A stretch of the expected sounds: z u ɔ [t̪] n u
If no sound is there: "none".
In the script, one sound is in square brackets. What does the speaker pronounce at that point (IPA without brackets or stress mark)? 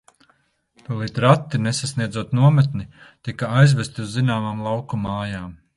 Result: t̪